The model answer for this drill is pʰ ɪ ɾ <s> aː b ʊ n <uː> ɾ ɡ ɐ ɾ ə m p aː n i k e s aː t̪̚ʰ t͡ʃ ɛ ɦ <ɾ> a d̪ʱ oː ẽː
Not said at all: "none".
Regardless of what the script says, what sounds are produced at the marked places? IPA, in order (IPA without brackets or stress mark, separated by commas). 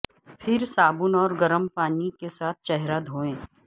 s, ɔː, ɾ